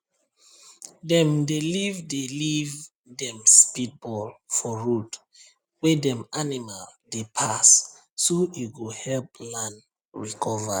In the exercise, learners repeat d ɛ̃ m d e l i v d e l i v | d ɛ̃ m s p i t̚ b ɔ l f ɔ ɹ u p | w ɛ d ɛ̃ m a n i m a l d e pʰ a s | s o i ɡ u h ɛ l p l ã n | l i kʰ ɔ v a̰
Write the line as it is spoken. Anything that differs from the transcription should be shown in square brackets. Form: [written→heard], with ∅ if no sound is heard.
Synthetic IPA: d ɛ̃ m d e l i v d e l i v | d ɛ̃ m s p i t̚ b ɔ l f ɔ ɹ u [p→t] | w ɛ d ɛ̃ m a n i m a l d e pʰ a s | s o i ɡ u h ɛ l p l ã n | [l→ɹ] i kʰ ɔ v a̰